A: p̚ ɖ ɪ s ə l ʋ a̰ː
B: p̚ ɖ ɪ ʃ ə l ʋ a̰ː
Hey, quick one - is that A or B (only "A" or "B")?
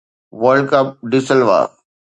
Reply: A